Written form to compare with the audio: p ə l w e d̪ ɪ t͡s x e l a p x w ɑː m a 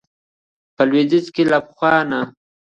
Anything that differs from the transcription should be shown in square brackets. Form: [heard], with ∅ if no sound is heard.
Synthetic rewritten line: p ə l w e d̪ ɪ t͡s [k] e l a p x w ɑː [n] a